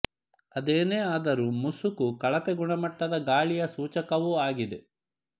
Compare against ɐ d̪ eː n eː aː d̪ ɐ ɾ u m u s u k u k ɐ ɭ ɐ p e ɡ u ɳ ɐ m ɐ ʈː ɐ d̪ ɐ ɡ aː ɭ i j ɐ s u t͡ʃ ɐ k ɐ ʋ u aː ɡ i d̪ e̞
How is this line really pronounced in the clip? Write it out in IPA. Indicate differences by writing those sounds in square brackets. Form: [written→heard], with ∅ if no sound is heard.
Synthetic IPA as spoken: ɐ d̪ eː n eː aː d̪ ɐ ɾ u m u s u k u k ɐ ɭ ɐ p e ɡ u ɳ ɐ m ɐ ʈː ɐ d̪ ɐ ɡ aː ɭ i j ɐ s [u→uː] t͡ʃ ɐ k ɐ ʋ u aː ɡ i d̪ e̞